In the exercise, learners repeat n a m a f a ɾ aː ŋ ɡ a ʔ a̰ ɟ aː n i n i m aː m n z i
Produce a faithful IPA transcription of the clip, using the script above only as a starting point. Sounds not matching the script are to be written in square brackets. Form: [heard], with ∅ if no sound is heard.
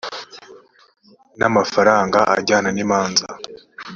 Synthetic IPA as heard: n a m a f a ɾ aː ŋ ɡ a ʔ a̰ ɟ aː n [a] n i m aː [∅] n z [a]